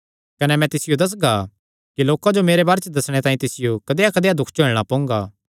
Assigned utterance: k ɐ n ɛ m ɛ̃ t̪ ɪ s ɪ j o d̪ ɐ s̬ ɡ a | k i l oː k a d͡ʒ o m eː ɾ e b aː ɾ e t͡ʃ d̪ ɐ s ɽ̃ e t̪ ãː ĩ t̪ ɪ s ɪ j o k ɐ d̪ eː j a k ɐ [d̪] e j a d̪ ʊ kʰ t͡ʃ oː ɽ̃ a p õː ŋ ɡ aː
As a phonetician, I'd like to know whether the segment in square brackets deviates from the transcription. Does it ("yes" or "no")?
no